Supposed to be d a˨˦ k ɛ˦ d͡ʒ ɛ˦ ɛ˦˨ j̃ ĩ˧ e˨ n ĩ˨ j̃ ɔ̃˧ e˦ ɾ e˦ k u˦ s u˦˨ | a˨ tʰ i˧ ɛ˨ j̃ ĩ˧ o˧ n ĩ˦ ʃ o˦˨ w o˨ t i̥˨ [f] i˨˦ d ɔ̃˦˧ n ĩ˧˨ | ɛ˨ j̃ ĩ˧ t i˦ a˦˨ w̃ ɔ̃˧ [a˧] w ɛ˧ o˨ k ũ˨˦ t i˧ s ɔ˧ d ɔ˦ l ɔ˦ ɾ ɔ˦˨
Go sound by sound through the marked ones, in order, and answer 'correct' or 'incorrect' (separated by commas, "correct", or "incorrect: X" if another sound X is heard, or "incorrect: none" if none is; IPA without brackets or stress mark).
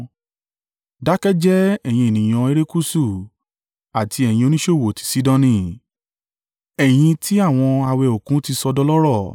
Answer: incorrect: s, correct